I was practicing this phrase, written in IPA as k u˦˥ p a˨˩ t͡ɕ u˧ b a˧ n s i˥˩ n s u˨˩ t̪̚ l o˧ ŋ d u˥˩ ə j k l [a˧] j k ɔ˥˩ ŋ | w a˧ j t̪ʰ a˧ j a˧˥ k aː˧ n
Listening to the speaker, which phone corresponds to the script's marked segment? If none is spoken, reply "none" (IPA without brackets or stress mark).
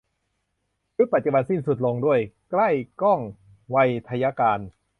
a˥˩